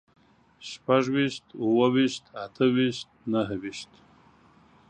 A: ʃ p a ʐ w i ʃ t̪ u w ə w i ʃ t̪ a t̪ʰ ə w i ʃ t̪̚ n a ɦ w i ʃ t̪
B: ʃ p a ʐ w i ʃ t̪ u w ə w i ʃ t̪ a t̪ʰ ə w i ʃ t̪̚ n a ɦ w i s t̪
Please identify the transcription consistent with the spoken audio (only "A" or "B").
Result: A